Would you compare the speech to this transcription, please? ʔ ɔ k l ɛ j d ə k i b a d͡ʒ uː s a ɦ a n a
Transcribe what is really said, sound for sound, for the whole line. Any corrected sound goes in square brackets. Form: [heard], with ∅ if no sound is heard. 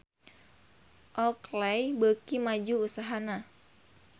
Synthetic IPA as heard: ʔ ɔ k l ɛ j [b] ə k i [m] a d͡ʒ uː s a ɦ a n a